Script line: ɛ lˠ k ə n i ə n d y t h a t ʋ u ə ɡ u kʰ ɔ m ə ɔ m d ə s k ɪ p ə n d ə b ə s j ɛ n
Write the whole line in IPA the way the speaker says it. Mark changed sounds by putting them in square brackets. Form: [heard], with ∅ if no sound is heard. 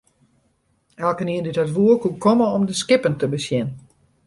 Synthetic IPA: ɛ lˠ k ə n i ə n d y t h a t ʋ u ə [k] u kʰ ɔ m ə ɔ m d ə s k ɪ p ə n [t] ə b ə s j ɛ n